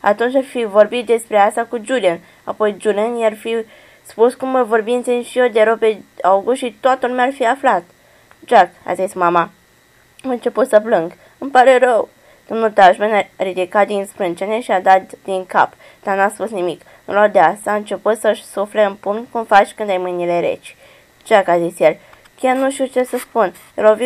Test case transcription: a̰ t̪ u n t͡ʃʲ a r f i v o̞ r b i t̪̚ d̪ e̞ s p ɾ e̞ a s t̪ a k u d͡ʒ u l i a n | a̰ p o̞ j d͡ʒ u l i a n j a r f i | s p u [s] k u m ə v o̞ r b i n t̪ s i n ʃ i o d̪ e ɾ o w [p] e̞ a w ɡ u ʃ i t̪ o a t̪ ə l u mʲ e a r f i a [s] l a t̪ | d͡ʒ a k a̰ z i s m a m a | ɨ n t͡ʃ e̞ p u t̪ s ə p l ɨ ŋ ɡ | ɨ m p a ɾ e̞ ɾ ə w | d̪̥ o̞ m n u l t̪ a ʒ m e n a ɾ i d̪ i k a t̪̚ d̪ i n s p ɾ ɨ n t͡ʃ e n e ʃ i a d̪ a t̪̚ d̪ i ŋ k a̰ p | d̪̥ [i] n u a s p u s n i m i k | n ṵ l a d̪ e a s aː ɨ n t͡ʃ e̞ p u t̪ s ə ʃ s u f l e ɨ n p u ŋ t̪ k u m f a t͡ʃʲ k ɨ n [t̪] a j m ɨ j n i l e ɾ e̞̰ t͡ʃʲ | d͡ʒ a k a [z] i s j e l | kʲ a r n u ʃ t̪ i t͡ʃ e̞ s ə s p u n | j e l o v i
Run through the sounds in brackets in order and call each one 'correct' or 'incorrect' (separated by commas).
correct, correct, incorrect, incorrect, incorrect, correct